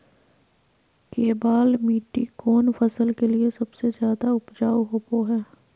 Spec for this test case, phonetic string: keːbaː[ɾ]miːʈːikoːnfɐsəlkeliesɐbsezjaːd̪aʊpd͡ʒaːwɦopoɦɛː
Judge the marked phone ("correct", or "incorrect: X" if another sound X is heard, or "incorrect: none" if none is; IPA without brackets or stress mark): incorrect: l